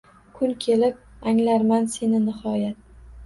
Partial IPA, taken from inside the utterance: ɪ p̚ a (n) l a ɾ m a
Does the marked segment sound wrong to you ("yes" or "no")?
yes